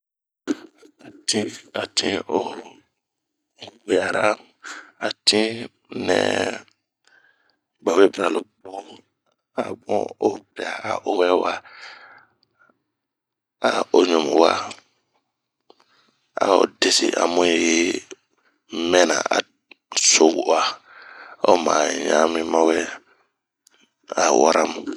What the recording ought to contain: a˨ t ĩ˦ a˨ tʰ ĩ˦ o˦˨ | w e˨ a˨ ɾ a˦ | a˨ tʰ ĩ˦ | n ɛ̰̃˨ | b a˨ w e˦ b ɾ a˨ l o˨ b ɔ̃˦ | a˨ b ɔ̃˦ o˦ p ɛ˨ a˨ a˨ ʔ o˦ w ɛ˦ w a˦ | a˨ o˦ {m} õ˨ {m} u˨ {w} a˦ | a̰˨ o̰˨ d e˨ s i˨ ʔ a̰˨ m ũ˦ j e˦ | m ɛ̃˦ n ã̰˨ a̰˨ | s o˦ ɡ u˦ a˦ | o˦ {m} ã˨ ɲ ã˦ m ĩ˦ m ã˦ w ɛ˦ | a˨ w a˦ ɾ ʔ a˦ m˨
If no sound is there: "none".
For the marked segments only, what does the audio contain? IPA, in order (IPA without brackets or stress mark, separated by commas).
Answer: ɲ, m, w, m